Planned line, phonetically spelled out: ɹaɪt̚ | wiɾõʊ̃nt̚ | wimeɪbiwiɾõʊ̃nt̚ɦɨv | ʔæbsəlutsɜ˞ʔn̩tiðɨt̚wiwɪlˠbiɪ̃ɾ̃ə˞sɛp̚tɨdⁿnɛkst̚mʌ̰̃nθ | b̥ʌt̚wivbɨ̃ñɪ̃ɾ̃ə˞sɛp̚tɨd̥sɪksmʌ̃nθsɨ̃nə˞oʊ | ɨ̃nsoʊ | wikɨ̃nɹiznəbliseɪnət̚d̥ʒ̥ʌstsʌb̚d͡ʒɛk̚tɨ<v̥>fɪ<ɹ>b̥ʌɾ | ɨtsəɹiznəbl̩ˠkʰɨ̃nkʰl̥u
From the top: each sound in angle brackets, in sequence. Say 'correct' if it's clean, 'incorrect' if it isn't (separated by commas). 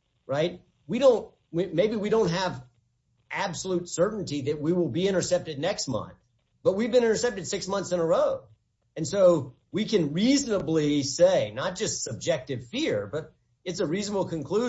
correct, correct